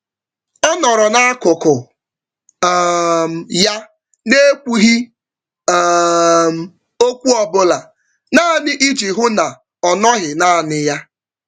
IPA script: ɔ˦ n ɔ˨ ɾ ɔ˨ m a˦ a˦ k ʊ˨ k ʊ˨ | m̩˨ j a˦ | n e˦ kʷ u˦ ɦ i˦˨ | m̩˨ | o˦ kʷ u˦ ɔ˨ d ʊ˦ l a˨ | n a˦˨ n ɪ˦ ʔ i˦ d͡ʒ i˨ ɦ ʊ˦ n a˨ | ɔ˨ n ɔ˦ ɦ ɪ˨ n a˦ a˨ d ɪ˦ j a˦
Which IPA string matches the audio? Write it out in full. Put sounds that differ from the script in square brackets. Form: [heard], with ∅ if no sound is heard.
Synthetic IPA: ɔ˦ n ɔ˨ ɾ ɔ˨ [n] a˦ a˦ k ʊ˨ k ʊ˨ | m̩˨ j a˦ | n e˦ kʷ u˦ ɦ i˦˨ | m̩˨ | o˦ kʷ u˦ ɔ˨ [b] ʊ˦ l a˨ | n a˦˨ n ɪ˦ ʔ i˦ d͡ʒ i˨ ɦ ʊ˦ n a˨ | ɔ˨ n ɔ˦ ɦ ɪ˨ n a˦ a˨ [n] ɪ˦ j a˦

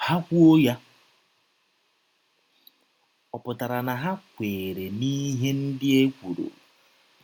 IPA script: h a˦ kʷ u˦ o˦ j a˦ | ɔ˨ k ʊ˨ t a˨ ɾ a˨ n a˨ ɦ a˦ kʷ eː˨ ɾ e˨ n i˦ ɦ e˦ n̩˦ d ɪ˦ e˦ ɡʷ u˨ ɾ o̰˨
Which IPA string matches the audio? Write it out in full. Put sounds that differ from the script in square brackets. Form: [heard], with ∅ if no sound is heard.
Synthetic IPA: h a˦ kʷ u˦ o˦ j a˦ | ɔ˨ [p] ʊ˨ t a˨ ɾ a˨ n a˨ ɦ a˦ kʷ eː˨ ɾ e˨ n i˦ ɦ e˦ n̩˦ d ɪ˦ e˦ [kʷ] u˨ ɾ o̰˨

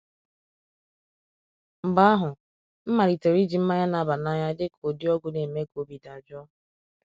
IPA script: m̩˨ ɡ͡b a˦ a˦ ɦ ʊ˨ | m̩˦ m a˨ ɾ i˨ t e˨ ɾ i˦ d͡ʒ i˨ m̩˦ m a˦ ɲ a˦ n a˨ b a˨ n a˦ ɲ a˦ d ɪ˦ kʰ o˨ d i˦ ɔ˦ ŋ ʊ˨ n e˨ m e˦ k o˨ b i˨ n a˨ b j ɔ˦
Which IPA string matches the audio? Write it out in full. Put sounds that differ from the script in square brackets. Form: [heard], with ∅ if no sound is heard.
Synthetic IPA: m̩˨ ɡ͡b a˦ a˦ ɦ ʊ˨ | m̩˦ m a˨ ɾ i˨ t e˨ ɾ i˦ d͡ʒ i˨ m̩˦ m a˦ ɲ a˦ n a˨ b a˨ n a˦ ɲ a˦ d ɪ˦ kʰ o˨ d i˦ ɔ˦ [ɡ] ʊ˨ n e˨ m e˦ k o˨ b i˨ [d] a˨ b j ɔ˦

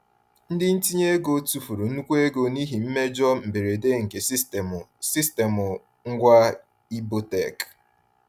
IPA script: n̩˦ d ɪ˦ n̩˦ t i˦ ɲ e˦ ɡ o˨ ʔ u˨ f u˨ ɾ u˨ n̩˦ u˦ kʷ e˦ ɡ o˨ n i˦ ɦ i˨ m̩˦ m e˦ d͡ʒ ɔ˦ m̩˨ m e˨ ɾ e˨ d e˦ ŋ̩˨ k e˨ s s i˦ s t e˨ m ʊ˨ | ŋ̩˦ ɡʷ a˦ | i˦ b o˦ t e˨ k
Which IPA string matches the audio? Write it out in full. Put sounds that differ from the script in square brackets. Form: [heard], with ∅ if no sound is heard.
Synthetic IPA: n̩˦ d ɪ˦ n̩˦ t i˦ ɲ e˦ ɡ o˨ [t] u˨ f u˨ ɾ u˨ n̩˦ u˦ kʷ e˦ ɡ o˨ n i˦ ɦ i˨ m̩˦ m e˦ d͡ʒ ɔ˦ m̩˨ [b] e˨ ɾ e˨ d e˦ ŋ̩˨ k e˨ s s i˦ s t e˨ m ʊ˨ | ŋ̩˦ ɡʷ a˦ | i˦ b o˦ t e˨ k

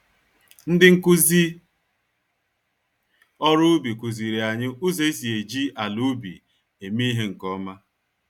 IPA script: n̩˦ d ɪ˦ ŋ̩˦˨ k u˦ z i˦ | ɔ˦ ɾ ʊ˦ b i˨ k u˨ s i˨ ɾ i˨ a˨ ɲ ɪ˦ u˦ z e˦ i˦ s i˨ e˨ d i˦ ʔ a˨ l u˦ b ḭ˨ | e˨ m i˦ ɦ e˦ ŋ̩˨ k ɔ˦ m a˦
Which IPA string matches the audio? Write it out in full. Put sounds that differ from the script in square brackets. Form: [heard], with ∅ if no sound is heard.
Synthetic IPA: n̩˦ d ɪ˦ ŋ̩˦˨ k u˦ z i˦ | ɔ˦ ɾ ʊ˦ b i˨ k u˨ [z] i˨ ɾ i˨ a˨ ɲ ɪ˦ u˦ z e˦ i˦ s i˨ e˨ [d͡ʒ] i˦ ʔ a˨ l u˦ b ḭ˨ | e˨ m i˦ ɦ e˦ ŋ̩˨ k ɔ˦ m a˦

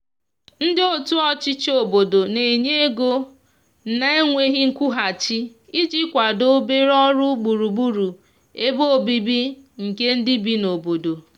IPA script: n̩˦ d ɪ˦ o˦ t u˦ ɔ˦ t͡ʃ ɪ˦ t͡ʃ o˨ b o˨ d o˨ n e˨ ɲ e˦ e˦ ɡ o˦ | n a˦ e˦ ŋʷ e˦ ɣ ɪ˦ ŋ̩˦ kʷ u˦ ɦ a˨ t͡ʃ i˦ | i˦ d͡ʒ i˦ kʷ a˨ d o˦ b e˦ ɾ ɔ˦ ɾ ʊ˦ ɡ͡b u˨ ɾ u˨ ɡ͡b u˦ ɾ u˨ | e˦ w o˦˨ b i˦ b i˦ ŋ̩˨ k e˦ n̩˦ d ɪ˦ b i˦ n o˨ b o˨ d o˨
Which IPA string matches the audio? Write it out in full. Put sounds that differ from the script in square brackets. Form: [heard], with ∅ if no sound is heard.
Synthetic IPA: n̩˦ d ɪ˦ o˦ t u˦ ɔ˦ t͡ʃ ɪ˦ t͡ʃ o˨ b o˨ d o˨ n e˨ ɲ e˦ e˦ ɡ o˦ | n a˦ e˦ ŋʷ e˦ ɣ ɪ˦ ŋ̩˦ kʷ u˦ ɦ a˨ t͡ʃ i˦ | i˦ d͡ʒ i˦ kʷ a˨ d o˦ b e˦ ɾ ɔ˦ ɾ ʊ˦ ɡ͡b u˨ ɾ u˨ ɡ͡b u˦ ɾ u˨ | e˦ [b] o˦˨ b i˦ b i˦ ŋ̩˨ k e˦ n̩˦ d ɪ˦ b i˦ n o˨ b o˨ d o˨

